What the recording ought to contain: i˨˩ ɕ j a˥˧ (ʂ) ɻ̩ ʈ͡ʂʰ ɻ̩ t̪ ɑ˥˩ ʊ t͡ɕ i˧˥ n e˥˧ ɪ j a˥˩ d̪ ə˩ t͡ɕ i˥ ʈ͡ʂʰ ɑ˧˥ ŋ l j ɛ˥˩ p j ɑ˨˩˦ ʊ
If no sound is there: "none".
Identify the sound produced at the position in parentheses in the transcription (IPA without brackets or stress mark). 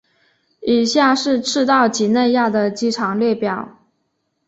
ʂ